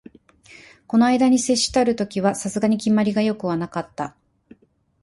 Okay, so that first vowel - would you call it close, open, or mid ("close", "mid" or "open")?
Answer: mid